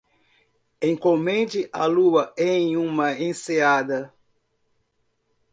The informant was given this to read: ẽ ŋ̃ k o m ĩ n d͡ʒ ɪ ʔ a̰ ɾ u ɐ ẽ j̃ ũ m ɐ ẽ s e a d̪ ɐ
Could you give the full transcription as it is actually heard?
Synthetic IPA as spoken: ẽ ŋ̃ k o m ẽ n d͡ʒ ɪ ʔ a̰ l u ɐ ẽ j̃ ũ m ɐ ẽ s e a d̪ ɐ